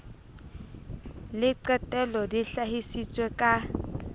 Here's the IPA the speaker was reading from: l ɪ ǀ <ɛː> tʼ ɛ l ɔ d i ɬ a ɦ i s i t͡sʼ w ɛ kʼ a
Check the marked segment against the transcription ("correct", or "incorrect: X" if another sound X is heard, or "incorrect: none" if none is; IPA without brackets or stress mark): incorrect: ɛ